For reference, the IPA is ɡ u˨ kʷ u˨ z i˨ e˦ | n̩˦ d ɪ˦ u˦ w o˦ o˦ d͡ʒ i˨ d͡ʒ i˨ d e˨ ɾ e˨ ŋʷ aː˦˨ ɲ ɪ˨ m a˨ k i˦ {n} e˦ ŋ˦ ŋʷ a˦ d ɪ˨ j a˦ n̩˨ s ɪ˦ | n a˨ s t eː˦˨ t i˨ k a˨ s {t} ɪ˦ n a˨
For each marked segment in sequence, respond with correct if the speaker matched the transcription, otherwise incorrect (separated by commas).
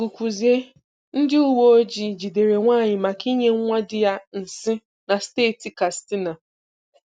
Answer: incorrect, correct